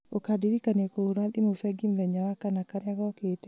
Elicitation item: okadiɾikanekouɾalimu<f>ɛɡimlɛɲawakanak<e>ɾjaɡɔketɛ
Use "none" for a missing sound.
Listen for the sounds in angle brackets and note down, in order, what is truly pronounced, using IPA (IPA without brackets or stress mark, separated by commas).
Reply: f, a